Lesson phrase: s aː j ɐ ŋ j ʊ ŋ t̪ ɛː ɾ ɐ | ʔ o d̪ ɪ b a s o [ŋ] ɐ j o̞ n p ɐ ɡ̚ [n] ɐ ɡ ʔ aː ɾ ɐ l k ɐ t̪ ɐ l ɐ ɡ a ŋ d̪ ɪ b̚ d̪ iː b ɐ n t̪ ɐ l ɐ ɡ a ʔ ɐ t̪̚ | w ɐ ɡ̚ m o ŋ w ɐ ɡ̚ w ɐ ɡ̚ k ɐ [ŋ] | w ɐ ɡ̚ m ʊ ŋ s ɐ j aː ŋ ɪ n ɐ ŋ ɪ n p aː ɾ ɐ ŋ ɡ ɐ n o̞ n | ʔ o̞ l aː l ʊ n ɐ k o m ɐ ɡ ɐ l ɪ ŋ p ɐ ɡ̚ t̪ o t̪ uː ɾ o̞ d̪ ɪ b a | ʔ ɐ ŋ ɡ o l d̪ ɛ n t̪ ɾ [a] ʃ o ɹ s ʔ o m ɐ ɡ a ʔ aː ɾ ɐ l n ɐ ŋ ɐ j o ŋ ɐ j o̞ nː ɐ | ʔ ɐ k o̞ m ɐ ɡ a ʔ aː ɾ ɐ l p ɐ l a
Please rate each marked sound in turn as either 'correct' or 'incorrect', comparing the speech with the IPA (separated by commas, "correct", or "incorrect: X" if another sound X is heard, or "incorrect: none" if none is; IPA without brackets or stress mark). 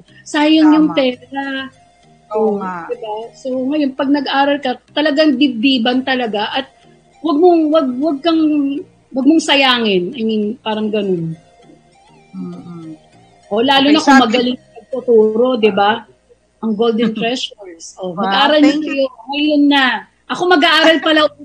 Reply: correct, correct, correct, incorrect: ɛ